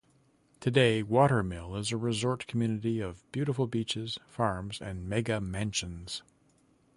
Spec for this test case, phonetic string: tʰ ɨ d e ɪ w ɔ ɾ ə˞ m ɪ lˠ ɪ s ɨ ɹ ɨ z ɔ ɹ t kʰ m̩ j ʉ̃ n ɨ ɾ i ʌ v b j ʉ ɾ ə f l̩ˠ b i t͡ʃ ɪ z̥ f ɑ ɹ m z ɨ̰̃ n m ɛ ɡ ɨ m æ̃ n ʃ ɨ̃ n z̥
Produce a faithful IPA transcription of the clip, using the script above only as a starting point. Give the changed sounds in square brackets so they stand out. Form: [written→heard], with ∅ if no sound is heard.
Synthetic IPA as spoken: tʰ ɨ d e ɪ w ɔ ɾ ə˞ m ɪ lˠ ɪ [s→z] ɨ ɹ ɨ z ɔ ɹ t kʰ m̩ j [ʉ̃→ʉ] n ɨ ɾ i ʌ v b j ʉ ɾ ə f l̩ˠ b i t͡ʃ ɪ z̥ f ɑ ɹ m z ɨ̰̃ n m ɛ ɡ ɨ m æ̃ n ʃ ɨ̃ n z̥

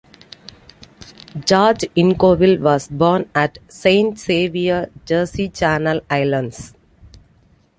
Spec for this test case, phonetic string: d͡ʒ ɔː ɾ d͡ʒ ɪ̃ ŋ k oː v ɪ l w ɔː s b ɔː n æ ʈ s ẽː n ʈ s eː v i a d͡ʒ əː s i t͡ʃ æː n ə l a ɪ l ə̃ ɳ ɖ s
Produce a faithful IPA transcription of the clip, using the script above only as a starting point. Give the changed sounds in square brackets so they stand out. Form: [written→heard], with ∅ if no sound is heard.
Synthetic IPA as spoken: d͡ʒ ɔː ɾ d͡ʒ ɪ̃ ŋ k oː [v→ʋ] ɪ l [w→ʋ] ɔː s b ɔː n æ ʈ s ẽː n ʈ s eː [v→ʋ] i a d͡ʒ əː s i t͡ʃ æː n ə l a ɪ l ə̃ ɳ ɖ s

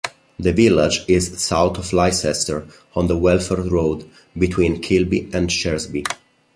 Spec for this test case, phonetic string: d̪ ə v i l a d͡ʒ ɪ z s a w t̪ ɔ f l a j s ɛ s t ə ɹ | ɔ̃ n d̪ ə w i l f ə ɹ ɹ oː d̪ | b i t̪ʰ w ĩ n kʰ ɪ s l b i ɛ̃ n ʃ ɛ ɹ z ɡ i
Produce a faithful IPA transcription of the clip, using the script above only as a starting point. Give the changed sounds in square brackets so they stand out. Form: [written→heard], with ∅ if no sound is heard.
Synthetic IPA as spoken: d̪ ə v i l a d͡ʒ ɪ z s a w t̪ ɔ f l a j s ɛ s t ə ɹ | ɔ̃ n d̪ ə w [i→ɛ] l f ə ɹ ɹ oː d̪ | b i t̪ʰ w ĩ n kʰ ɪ [s→∅] l b i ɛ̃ n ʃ ɛ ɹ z [ɡ→b] i

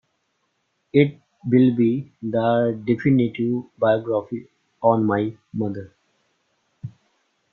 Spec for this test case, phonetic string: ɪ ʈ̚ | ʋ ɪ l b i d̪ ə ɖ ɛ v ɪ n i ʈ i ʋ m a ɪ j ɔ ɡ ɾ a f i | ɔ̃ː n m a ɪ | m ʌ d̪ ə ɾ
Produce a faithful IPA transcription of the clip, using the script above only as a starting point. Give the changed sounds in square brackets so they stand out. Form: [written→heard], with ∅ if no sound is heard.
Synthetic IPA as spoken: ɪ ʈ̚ | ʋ ɪ l b i d̪ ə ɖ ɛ [v→f] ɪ n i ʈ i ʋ [m→b] a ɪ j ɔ ɡ ɾ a f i | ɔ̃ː n m a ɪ | m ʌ d̪ ə ɾ

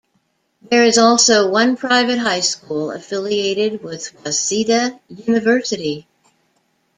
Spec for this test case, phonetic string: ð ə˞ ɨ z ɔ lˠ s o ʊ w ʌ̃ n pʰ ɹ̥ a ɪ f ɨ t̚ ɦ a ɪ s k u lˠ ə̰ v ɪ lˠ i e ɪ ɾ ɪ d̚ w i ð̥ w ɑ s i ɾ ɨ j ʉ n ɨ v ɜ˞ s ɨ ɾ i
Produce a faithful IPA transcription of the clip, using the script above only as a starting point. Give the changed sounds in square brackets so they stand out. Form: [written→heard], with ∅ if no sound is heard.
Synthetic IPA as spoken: ð ə˞ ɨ z ɔ lˠ s o ʊ w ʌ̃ n pʰ ɹ̥ a ɪ [f→v] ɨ t̚ ɦ a ɪ s k u lˠ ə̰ [v→f] ɪ lˠ i e ɪ ɾ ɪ d̚ w [i→ɪ] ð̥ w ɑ s i ɾ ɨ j ʉ n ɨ v ɜ˞ s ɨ ɾ i

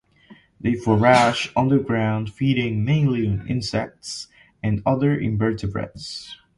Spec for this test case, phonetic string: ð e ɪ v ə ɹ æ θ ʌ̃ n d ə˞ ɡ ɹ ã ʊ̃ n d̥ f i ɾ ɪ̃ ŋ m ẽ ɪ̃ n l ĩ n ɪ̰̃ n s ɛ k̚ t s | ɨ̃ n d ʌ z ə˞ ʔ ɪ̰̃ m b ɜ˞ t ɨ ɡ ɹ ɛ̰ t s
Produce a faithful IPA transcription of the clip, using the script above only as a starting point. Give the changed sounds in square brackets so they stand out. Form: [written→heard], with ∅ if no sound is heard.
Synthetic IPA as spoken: ð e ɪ [v→f] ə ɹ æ [θ→ʃ] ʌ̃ n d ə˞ ɡ ɹ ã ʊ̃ n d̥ f i ɾ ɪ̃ ŋ m ẽ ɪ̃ n l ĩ n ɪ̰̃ n s ɛ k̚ t s | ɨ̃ n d ʌ [z→ð] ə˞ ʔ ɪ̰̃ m b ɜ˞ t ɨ [ɡ→b] ɹ ɛ̰ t s

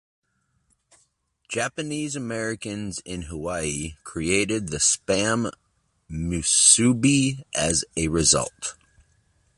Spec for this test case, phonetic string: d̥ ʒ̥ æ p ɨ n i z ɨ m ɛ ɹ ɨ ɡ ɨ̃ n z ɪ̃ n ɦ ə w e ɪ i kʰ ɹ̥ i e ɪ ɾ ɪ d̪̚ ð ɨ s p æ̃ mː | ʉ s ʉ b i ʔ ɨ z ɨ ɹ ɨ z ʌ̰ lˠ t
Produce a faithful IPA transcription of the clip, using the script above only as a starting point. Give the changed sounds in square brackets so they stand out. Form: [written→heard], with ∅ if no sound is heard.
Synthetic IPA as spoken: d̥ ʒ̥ æ p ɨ n i z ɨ m ɛ ɹ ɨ [ɡ→k] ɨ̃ n z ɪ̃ n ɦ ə w [e→a] ɪ i kʰ ɹ̥ i e ɪ ɾ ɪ d̪̚ ð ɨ s p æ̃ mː | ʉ s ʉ b i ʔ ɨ z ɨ ɹ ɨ z ʌ̰ lˠ t

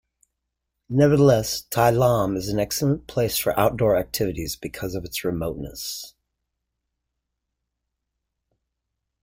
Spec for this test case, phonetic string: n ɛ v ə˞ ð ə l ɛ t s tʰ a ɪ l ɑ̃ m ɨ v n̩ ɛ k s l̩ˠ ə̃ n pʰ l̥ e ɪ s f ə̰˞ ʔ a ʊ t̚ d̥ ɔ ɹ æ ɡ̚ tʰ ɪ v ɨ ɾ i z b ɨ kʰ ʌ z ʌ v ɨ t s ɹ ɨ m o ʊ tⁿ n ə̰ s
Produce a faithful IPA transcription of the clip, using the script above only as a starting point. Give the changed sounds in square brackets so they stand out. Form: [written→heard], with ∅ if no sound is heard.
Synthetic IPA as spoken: n ɛ v ə˞ ð ə l ɛ [t→∅] s tʰ a ɪ l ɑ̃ m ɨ [v→z] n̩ ɛ k s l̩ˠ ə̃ n pʰ l̥ e ɪ s f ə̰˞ ʔ a ʊ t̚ d̥ ɔ ɹ æ [ɡ̚→k̚] tʰ ɪ v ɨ ɾ i z b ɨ kʰ ʌ z ʌ v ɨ t s ɹ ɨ m o ʊ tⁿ n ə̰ s

